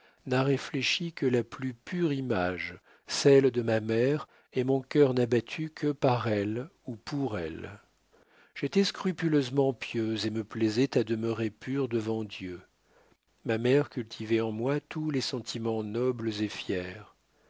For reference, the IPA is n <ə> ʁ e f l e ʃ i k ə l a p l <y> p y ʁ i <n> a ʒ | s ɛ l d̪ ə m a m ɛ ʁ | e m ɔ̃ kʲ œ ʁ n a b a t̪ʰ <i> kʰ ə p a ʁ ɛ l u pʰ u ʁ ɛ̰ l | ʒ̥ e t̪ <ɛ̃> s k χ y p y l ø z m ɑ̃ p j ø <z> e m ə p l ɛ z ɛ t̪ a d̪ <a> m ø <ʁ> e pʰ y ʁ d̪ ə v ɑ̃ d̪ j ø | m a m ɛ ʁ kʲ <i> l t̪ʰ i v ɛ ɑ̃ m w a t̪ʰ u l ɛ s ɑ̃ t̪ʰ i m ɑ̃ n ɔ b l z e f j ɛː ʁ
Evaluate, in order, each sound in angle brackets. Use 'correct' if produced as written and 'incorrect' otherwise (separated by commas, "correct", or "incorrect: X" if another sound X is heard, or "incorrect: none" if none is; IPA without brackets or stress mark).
incorrect: a, correct, incorrect: m, incorrect: y, incorrect: ɛ, correct, incorrect: ə, correct, incorrect: y